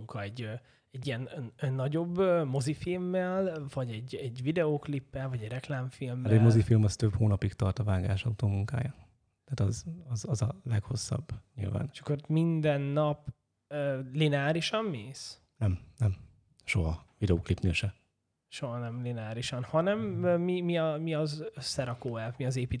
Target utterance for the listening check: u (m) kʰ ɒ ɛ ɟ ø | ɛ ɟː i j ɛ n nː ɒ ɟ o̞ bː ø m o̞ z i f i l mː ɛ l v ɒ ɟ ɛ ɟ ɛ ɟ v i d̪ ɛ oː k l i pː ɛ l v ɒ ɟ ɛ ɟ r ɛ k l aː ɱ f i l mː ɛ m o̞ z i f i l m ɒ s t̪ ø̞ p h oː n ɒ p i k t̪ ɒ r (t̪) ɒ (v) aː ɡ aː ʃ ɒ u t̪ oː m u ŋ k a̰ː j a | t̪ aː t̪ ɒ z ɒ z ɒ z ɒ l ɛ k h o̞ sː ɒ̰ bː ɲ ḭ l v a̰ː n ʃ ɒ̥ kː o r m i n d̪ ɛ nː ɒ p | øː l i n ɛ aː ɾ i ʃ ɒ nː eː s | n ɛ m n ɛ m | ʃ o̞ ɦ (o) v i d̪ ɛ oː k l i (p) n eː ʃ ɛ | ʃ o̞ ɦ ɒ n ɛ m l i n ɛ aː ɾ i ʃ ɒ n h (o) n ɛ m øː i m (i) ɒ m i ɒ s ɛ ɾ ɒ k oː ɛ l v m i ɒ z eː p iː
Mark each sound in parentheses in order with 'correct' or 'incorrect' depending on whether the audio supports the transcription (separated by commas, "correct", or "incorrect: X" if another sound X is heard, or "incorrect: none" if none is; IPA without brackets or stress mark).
incorrect: ŋ, correct, correct, incorrect: ɒ, correct, incorrect: ɒ, correct